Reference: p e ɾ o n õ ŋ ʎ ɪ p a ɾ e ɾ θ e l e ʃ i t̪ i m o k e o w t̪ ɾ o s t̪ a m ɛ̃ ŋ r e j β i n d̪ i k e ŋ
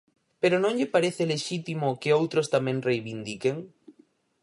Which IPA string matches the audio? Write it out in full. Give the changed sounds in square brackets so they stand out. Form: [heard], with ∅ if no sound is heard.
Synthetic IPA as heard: p e ɾ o n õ ŋ ʎ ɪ p a ɾ e [∅] θ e l e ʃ i t̪ i m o k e o w t̪ ɾ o s t̪ a m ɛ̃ ŋ r e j β i n d̪ i k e ŋ